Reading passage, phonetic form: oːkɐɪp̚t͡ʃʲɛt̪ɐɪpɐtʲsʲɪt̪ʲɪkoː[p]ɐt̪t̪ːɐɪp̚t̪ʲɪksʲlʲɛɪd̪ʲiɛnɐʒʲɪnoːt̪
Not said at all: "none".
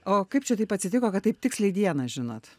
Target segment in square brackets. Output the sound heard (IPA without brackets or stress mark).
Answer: k